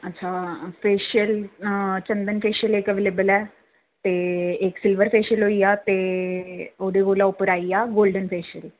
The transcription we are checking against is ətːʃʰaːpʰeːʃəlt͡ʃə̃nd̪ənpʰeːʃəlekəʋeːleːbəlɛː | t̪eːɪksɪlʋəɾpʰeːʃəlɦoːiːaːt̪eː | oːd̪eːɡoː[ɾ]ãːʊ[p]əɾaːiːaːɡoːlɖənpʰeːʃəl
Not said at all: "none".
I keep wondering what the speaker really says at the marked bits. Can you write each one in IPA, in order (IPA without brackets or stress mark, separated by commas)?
l, p